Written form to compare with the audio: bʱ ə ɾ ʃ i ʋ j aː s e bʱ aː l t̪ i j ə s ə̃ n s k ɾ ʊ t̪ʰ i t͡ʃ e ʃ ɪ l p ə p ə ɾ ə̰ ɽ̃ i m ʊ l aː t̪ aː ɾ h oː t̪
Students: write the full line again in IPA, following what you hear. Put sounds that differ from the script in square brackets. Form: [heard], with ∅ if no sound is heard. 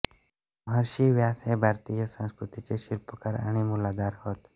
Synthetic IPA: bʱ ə ɾ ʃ i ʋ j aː s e bʱ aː [ɾ] t̪ i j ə s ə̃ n s k ɾ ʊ [t̪] i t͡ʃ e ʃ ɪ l p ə [k] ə ɾ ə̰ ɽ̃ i m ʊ l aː [d̪] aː ɾ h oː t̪